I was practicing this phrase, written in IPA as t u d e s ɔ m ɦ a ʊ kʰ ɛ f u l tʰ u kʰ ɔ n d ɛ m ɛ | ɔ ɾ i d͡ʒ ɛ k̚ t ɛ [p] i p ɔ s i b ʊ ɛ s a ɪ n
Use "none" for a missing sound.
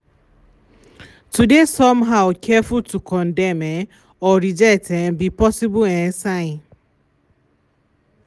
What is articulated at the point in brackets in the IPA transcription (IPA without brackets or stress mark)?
b